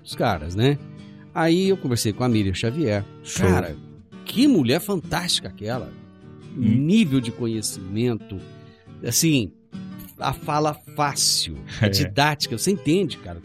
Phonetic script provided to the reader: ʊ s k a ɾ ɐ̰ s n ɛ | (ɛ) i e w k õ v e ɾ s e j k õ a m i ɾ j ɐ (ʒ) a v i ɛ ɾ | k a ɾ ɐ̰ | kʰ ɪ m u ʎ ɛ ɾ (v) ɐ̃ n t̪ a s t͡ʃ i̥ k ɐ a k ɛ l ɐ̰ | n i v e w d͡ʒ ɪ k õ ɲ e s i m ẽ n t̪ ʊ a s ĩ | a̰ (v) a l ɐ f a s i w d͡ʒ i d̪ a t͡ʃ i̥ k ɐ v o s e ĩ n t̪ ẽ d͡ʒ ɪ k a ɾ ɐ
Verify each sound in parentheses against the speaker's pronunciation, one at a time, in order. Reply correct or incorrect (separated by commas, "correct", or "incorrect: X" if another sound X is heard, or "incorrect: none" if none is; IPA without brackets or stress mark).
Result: incorrect: a, incorrect: ʃ, incorrect: f, incorrect: f